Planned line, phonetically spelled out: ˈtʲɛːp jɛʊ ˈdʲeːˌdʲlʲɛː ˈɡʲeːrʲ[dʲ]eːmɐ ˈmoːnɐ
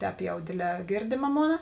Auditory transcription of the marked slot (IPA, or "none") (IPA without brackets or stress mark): dʲ